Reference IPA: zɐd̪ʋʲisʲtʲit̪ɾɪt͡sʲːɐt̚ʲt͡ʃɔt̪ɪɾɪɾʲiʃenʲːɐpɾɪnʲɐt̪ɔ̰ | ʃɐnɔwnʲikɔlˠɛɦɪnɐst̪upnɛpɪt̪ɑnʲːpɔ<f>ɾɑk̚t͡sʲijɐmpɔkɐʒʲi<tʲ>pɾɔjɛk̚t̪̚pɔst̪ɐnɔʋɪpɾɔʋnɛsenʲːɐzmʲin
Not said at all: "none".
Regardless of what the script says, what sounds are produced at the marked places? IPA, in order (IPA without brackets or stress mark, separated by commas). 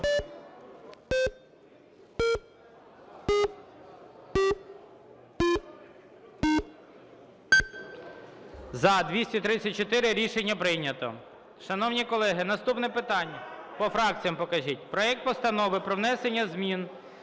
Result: f, tʲ